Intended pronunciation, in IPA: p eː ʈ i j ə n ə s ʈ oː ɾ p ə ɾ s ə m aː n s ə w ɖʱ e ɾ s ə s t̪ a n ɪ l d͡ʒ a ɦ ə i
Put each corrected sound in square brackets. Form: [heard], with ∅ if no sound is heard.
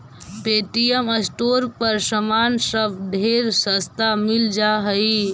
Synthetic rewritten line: p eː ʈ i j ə [m] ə s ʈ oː ɾ p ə ɾ s ə m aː n s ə [b] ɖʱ e ɾ s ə s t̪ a [m] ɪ l d͡ʒ a ɦ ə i